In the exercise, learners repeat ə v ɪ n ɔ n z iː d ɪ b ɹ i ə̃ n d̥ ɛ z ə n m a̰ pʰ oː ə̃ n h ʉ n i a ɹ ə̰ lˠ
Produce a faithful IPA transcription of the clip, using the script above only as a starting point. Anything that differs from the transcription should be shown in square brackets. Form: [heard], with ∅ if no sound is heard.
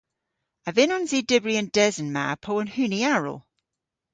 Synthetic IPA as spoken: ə v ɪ n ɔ n z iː d ɪ b ɹ i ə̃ n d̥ ɛ z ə n m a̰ pʰ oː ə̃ n h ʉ n i a ɹ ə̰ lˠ